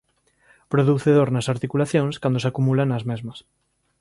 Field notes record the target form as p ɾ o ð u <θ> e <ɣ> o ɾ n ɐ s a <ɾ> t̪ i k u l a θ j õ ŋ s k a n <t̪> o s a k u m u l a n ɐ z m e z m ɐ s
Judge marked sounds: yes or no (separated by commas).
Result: yes, no, yes, no